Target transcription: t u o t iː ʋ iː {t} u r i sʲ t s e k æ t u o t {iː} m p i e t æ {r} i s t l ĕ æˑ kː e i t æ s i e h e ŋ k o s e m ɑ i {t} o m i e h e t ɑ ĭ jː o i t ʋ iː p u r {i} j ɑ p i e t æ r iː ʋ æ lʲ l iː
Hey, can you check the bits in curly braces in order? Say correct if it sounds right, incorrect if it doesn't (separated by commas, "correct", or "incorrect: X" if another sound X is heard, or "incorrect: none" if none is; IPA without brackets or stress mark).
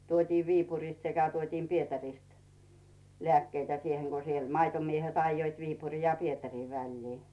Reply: incorrect: p, correct, correct, correct, correct